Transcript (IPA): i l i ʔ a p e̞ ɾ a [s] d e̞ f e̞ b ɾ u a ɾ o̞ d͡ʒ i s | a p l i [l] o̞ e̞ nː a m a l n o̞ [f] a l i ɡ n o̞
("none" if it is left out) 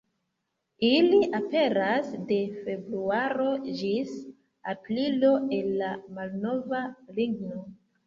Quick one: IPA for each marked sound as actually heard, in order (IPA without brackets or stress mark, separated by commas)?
s, l, v